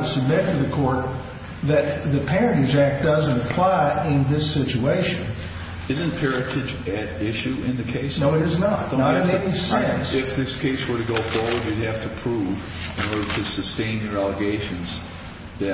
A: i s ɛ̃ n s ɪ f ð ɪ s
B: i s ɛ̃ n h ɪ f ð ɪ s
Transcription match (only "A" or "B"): A